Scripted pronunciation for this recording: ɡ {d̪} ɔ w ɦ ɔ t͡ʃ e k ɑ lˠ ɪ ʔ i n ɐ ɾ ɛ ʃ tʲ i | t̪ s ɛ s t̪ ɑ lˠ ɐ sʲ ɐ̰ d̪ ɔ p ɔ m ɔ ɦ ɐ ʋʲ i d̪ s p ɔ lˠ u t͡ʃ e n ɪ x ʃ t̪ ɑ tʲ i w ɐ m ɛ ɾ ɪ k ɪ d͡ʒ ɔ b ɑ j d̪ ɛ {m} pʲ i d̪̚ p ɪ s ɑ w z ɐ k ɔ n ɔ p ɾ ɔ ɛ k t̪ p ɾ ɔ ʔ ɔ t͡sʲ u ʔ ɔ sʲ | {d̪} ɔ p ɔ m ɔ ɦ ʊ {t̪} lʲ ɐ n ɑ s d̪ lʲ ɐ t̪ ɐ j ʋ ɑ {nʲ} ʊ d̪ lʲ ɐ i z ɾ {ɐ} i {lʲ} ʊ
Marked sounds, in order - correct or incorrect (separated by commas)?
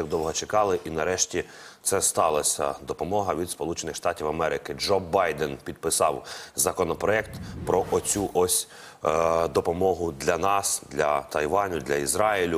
correct, incorrect, correct, incorrect, correct, incorrect, correct